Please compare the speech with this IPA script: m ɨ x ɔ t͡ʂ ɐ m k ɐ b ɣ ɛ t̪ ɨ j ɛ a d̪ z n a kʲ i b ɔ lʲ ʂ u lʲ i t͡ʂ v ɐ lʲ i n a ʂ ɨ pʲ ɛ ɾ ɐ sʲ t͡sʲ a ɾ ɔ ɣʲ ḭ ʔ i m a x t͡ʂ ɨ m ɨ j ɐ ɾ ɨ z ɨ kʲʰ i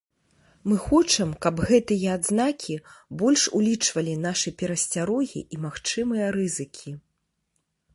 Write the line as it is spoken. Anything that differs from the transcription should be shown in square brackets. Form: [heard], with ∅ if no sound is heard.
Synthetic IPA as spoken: m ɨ x ɔ t͡ʂ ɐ m k ɐ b ɣ ɛ t̪ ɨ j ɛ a d̪ z n a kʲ i b ɔ lʲ ʂ u lʲ i t͡ʂ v ɐ lʲ i n a ʂ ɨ pʲ ɛ ɾ ɐ sʲ t͡sʲ a ɾ ɔ ɣʲ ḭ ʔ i m a x t͡ʂ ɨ m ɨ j ɐ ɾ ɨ z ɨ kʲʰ i